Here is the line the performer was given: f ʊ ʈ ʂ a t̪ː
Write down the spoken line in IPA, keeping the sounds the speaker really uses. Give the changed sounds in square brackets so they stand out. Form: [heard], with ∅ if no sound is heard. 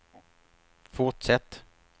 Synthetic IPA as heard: f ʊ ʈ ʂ [ɛ] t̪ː